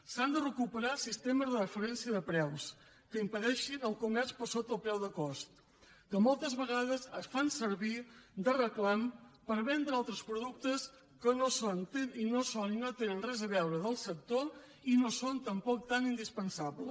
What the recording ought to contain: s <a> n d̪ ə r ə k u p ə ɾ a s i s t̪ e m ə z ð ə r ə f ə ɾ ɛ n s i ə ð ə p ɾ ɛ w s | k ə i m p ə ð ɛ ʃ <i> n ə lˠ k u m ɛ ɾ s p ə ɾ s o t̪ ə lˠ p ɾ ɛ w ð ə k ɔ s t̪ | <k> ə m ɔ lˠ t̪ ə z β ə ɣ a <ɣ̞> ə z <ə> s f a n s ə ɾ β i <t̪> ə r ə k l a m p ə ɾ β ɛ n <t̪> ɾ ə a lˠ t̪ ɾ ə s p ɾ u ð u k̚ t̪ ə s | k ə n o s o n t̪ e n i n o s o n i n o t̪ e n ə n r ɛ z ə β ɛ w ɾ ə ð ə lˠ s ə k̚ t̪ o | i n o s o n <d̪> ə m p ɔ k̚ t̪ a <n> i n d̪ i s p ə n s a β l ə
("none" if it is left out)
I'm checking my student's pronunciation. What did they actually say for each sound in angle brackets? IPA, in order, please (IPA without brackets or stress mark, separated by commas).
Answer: a, i, k, ð̞, ə, d̪, d̪, t̪, n